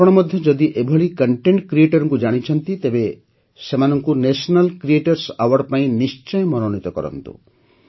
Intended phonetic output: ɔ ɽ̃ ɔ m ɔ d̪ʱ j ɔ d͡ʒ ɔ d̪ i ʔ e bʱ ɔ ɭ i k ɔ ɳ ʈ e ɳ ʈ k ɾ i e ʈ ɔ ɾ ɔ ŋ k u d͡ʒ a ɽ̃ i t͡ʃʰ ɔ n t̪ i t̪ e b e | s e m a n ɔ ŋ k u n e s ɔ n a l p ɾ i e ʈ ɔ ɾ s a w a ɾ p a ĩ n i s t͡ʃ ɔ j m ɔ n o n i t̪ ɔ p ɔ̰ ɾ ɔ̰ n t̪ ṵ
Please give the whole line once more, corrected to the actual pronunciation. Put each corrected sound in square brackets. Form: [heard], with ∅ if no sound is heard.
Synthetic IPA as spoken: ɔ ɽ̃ ɔ m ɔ d̪ʱ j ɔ d͡ʒ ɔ d̪ i ʔ e bʱ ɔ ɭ i k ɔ ɳ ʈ e ɳ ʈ k ɾ i e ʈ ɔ ɾ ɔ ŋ k u d͡ʒ a ɽ̃ i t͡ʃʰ ɔ n t̪ i t̪ e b e | s e m a n ɔ ŋ k u n e s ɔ n a l [k] ɾ i e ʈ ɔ ɾ s a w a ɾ p a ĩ n i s t͡ʃ ɔ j m ɔ n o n i t̪ ɔ [k] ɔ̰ ɾ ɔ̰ n t̪ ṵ

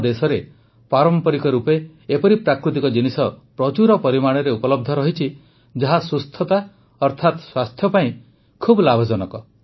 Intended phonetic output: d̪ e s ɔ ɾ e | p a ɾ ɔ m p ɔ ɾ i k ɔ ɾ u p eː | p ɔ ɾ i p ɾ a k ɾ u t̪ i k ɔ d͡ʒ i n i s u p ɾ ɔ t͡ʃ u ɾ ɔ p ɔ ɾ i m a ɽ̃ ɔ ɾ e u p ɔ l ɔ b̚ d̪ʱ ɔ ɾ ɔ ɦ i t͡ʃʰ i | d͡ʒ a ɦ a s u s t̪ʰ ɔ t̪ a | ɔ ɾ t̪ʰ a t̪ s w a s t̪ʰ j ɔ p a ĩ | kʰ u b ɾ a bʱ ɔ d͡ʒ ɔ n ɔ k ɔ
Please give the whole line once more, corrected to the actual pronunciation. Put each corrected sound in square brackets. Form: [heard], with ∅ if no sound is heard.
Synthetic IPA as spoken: d̪ e s ɔ ɾ e | p a ɾ ɔ m p ɔ ɾ i k ɔ ɾ u p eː | p ɔ ɾ i p ɾ a k ɾ u t̪ i k ɔ d͡ʒ i n i s [ɔ] p ɾ ɔ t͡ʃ u ɾ ɔ p ɔ ɾ i m a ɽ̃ ɔ ɾ e u p ɔ l ɔ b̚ d̪ʱ ɔ ɾ ɔ ɦ i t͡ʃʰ i | d͡ʒ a ɦ a s u s t̪ʰ ɔ t̪ a | ɔ ɾ t̪ʰ a t̪ s w a s t̪ʰ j ɔ p a ĩ | kʰ u b [l] a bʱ ɔ d͡ʒ ɔ n ɔ k ɔ

